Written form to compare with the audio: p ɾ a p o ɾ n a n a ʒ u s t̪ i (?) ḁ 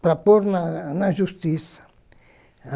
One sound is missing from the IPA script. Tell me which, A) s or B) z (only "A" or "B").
A